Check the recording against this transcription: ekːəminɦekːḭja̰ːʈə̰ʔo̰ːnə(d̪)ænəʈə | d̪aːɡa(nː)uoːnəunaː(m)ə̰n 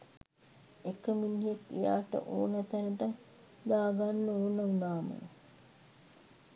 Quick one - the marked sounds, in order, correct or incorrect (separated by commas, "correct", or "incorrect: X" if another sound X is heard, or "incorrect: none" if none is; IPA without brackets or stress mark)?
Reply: incorrect: t̪, correct, correct